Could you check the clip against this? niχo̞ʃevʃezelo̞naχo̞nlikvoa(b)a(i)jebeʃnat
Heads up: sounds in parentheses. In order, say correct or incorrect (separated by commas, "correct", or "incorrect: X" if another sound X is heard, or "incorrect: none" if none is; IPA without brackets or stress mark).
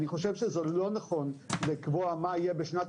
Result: incorrect: m, correct